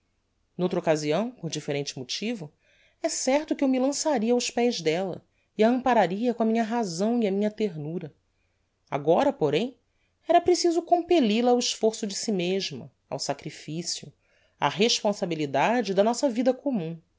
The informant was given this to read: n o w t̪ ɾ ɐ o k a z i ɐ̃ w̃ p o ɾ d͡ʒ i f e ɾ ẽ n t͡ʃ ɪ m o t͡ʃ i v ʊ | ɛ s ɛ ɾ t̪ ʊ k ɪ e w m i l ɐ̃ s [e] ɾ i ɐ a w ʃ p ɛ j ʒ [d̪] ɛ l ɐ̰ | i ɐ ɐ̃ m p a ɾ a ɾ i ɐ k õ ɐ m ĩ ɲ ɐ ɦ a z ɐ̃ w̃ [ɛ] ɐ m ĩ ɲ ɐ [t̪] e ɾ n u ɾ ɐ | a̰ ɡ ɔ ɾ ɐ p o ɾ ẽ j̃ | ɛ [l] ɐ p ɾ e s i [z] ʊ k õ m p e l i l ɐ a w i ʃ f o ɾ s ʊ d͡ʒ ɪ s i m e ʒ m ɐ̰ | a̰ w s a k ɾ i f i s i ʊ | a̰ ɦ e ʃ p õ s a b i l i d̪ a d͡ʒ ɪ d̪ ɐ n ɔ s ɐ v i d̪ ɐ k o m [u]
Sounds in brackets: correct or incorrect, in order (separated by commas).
incorrect, correct, incorrect, correct, incorrect, correct, incorrect